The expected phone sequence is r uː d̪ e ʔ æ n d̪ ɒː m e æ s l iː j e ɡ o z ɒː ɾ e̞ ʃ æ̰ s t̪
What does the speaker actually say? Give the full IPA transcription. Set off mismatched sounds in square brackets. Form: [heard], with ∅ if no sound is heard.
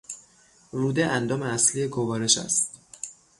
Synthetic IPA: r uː d̪ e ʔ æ n d̪ ɒː m e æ s l [i] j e ɡ o [v] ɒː ɾ e̞ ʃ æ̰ s t̪